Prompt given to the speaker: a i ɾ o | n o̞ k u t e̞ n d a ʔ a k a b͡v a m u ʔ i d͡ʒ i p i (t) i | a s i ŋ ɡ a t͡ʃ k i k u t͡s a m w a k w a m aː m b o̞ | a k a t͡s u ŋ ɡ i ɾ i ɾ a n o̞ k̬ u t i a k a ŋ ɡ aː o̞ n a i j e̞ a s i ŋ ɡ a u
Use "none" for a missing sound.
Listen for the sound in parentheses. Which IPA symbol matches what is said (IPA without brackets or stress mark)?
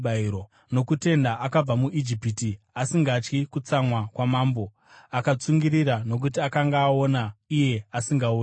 t